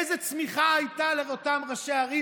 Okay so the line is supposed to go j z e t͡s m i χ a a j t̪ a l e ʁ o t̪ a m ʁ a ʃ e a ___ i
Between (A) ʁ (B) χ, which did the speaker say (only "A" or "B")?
A